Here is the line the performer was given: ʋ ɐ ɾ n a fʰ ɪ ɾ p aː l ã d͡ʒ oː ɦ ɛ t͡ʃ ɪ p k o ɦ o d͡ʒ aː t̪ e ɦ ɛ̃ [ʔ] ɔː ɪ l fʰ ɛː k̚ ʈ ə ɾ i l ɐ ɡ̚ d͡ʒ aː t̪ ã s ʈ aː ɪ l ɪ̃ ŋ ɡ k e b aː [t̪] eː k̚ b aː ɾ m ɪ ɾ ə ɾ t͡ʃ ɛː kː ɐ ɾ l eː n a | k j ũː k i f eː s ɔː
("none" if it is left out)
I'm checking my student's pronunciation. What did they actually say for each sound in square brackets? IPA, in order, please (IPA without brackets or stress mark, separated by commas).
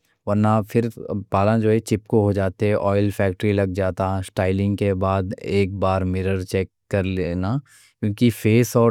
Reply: ʔ, d̪